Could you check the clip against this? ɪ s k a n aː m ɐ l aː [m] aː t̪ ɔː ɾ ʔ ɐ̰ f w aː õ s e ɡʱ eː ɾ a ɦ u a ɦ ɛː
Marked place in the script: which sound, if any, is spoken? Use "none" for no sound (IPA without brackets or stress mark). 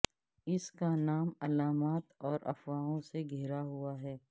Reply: m